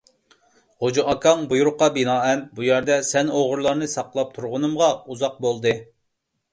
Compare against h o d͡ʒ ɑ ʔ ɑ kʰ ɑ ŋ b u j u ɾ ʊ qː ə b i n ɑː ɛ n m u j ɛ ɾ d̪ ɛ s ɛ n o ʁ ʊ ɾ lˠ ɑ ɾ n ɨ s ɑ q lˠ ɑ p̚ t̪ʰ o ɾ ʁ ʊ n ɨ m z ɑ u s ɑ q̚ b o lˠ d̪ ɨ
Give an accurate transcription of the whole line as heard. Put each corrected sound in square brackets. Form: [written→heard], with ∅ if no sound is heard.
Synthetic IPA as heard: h o d͡ʒ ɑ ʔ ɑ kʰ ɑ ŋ b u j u ɾ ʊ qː [ə→ɑ] b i n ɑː ɛ n [m→b] u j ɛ ɾ d̪ ɛ s ɛ n o ʁ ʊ ɾ lˠ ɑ ɾ n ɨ s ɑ q lˠ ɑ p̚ t̪ʰ [o→u] ɾ ʁ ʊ n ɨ m [z→ʁ] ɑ u [s→z] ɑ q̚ b o lˠ d̪ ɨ